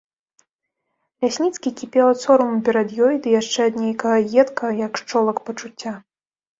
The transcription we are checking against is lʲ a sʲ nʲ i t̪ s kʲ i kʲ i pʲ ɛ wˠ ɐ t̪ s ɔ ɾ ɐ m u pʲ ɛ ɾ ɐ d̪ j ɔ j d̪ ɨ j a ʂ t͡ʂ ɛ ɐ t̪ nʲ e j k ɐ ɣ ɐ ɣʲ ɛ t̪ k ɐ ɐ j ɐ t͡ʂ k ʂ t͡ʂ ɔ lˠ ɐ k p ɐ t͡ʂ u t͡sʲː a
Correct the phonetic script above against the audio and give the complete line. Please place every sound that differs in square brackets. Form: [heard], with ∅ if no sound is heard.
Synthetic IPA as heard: lʲ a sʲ nʲ i t̪ s kʲ i kʲ i pʲ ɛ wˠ ɐ t̪ s ɔ ɾ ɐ m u pʲ ɛ ɾ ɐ d̪ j ɔ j d̪ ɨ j a ʂ t͡ʂ ɛ ɐ [d̪] nʲ e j k ɐ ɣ ɐ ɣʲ ɛ t̪ k ɐ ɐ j ɐ [∅] k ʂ t͡ʂ ɔ lˠ ɐ k p ɐ t͡ʂ u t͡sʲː a